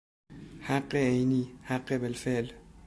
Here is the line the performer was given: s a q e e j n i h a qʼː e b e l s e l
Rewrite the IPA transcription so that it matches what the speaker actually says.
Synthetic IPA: h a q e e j n i h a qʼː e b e l f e l